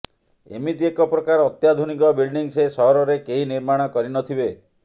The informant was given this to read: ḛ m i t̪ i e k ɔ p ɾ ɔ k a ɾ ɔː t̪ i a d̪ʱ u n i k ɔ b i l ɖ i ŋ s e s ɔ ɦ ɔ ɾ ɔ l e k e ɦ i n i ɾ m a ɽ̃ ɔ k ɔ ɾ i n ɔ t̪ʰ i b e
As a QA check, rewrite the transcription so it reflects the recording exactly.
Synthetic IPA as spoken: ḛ m i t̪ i e k ɔ p ɾ ɔ k a ɾ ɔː t̪ j a d̪ʱ u n i k ɔ b i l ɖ i ŋ s e s ɔ ɦ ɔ ɾ ɔ ɾ e k e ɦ i n i ɾ m a ɽ̃ ɔ k ɔ ɾ i n ɔ t̪ʰ i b e